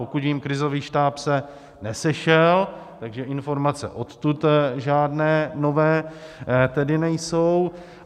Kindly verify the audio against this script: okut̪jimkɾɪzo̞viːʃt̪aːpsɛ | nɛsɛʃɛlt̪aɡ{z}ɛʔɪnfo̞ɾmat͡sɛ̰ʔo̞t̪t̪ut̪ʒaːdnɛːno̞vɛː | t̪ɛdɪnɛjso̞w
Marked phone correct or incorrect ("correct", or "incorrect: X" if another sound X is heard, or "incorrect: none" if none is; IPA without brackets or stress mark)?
incorrect: ʒ